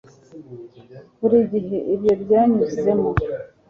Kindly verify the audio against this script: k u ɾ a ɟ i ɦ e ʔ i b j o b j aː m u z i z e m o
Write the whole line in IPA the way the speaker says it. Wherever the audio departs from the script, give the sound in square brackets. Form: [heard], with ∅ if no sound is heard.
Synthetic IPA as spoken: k u ɾ [i] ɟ i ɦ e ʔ i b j o b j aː [ɲ] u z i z e m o

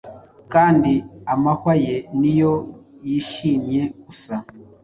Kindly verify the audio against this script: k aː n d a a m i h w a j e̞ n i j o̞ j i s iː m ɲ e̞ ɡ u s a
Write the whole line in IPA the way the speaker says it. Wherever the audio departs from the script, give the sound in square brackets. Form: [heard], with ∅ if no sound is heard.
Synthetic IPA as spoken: k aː n d [i] a m [a] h w a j e̞ n i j o̞ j i [ʃ] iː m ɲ e̞ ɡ u s a

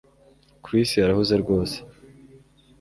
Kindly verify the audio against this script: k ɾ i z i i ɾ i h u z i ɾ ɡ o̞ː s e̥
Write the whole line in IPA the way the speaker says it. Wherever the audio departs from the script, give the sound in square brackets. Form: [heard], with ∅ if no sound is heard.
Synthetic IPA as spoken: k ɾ i [s] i [a] ɾ [a] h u z [e] ɾ ɡ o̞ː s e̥

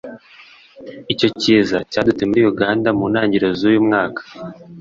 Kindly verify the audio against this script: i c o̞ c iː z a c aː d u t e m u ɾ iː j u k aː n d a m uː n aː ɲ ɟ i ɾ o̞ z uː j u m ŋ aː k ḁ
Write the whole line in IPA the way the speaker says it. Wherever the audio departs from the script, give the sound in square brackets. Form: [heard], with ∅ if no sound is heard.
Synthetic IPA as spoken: i c o̞ c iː z a c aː d u t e m u ɾ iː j u [ɡ] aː n d a m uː n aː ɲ ɟ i ɾ o̞ z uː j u m ŋ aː k ḁ

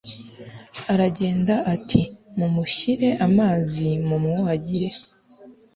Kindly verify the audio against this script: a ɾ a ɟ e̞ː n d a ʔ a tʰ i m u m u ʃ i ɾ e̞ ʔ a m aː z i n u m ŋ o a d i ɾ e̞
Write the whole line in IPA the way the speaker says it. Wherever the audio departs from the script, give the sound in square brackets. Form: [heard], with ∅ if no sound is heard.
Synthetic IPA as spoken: a ɾ a ɟ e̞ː n d a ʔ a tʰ i m u m u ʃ i ɾ e̞ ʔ a m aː z i [m] u m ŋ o a [ɟ] i ɾ e̞

